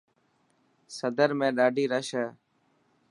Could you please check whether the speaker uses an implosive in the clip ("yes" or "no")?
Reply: yes